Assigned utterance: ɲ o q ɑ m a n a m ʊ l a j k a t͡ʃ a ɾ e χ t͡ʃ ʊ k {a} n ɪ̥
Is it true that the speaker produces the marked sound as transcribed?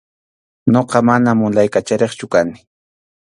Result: yes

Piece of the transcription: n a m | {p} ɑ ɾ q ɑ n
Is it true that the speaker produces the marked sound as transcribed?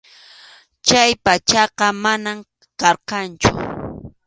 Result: no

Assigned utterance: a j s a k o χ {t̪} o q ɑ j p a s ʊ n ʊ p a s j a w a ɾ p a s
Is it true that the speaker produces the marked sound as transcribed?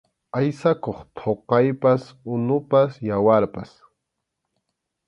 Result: no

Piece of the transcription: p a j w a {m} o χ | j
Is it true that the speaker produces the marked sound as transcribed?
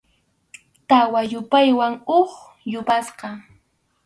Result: no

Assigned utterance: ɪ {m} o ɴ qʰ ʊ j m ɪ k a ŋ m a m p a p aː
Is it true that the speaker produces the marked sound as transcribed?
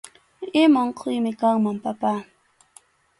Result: yes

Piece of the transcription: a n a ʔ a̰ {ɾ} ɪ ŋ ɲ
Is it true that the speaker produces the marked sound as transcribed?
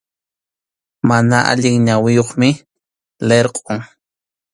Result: no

